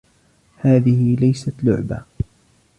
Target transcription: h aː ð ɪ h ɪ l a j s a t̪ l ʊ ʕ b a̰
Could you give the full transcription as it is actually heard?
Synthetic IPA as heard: h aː ð ɪ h ɪ l a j s a t̪ l ʊ ʕ b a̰